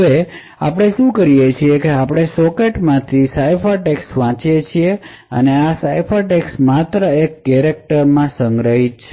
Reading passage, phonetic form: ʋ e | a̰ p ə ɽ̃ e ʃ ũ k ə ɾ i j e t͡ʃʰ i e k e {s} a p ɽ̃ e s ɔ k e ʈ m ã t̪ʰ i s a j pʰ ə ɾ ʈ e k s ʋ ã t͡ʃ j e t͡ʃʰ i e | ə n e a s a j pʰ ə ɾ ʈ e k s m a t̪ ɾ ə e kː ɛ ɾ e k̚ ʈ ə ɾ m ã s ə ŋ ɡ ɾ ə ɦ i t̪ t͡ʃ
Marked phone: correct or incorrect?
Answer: incorrect